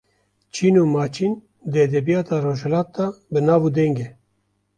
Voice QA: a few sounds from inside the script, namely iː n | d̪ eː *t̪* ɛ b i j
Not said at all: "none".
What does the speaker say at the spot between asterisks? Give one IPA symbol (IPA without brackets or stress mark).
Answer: d̪